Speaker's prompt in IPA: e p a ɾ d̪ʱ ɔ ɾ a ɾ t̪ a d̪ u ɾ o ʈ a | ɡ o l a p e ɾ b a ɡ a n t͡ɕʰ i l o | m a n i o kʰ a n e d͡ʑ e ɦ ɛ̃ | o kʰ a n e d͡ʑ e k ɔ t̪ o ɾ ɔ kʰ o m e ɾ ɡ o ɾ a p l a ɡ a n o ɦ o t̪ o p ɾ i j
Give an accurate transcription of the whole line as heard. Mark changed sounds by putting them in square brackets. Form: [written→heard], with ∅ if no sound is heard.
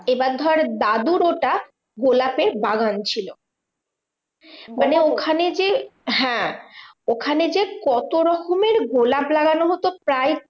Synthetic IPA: e [p→b] a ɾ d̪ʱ ɔ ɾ a ɾ [t̪→d̪] a d̪ u ɾ o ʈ a | ɡ o l a p e ɾ b a ɡ a n t͡ɕʰ i l o | m a n [i→e] o kʰ a n e d͡ʑ e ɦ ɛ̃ | o kʰ a n e d͡ʑ e k ɔ t̪ o ɾ ɔ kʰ o m e ɾ ɡ o [ɾ→l] a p l a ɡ a n o ɦ o t̪ o p ɾ [i→a] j

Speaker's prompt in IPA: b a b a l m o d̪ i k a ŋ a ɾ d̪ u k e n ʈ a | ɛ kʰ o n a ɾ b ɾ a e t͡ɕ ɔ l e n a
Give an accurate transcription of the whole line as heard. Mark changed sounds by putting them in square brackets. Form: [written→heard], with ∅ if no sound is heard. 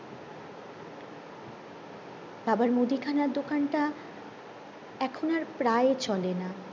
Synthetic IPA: b a b a [l→ɾ] m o d̪ i [k→kʰ] a [ŋ→n] a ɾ d̪ [u→o] k [e→a] n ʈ a | ɛ kʰ o n a ɾ [b→p] ɾ a e t͡ɕ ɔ l e n a

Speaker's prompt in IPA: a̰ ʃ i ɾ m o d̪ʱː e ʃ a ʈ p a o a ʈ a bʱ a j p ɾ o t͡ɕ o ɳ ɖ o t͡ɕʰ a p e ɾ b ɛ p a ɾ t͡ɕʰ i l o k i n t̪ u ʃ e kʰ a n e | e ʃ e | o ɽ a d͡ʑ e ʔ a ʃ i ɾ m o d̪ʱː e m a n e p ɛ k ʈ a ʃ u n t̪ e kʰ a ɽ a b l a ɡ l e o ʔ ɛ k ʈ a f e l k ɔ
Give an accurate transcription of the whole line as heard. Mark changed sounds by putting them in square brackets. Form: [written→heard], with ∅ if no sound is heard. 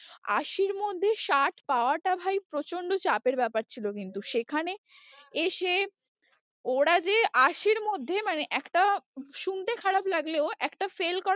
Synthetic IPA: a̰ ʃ i ɾ m o d̪ʱː e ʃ a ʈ p a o a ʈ a bʱ a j p ɾ o t͡ɕ o ɳ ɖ o [t͡ɕʰ→t͡ɕ] a p e ɾ b ɛ p a ɾ t͡ɕʰ i l o k i n t̪ u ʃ e kʰ a n e | e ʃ e | o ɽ a d͡ʑ e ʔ a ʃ i ɾ m o d̪ʱː e m a n e [p→ʔ] ɛ k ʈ a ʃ u n t̪ e kʰ a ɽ a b l a ɡ l e o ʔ ɛ k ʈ a f e l k ɔ

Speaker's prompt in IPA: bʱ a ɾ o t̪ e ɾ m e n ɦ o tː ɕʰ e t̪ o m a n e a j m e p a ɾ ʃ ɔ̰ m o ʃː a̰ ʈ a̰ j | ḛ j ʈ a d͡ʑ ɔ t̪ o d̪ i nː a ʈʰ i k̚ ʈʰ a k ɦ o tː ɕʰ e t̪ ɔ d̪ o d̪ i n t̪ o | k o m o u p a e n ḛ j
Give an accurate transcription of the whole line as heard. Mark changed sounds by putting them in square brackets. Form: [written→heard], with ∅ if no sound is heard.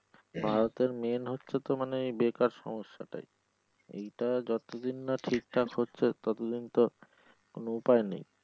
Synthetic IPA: bʱ a ɾ o t̪ e ɾ m e n ɦ o tː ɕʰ e t̪ o m a n e [a→e] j [m→b] e [p→k] a ɾ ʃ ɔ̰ m o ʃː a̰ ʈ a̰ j | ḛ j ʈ a d͡ʑ ɔ t̪ o d̪ i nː a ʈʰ i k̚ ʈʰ a k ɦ o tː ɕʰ e t̪ ɔ [d̪→t̪] o d̪ i n t̪ o | k o [m→n] o u p a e n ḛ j

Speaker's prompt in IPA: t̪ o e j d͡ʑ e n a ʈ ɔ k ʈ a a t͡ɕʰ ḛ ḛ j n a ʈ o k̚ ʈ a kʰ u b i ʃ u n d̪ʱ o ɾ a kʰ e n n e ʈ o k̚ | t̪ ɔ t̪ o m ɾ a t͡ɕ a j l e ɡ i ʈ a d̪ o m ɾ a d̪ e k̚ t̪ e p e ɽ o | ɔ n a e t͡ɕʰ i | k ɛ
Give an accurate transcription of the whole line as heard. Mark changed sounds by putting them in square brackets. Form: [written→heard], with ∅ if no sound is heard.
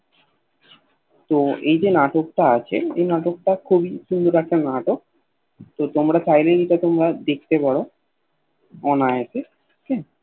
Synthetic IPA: t̪ o e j d͡ʑ e n a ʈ [ɔ→o] k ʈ a a t͡ɕʰ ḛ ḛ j n a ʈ o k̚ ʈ a kʰ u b i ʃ u n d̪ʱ o ɾ a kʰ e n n [e→a] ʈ o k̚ | t̪ [ɔ→o] t̪ o m ɾ a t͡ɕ a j l e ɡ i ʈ a [d̪→t̪] o m ɾ a d̪ e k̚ t̪ e p [e→a] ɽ o | ɔ n a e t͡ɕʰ [i→e] | k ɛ

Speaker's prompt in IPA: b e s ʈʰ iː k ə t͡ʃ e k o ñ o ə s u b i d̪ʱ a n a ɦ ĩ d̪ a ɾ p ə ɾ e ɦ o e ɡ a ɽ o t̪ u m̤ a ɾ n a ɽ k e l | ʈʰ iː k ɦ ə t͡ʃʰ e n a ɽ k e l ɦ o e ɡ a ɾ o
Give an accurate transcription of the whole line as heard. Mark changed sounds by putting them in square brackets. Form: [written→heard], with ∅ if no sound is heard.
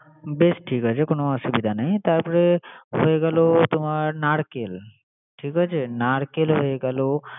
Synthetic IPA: b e s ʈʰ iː k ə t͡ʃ e k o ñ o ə s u b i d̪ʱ a n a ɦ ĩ [d̪→t̪] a ɾ p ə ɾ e ɦ o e ɡ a [ɽ→l] o t̪ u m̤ a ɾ n a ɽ k e l | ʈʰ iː k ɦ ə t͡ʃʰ e n a ɽ k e l ɦ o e ɡ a [ɾ→l] o

